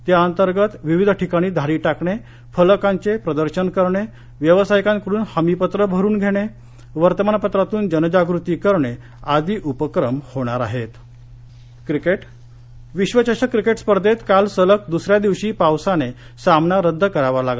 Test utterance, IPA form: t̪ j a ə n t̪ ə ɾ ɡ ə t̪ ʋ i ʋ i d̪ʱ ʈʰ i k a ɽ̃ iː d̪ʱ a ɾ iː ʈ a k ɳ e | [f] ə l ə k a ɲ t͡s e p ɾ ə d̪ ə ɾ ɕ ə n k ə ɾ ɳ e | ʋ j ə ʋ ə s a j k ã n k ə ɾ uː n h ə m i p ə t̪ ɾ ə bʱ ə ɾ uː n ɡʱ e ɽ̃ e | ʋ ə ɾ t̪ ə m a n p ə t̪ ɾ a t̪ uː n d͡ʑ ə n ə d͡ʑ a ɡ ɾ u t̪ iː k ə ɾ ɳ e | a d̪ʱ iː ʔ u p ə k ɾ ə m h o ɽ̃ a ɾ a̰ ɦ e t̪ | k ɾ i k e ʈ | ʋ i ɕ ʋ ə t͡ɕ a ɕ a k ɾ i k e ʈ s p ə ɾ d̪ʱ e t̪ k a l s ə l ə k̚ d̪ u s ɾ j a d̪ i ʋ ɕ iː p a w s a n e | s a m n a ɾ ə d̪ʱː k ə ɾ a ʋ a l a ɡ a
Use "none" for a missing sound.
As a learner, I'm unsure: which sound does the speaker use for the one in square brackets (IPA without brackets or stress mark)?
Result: f